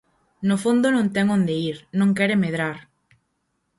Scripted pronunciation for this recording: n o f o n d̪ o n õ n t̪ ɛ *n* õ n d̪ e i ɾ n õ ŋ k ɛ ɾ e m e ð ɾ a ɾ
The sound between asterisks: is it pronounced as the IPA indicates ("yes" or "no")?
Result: no